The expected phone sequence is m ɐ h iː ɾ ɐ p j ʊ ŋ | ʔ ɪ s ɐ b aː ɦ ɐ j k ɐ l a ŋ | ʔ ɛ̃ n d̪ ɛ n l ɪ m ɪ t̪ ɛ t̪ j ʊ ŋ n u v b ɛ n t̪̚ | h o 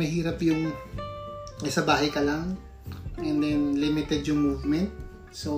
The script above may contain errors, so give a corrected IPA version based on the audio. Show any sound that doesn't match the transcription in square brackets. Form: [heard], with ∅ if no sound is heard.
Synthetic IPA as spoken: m ɐ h iː ɾ ɐ p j ʊ ŋ | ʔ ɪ s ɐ b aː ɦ ɐ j k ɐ l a ŋ | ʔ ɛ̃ n d̪ ɛ n l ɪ m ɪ t̪ ɛ [d̪] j ʊ ŋ [m] u v [m] ɛ n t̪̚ | [s] o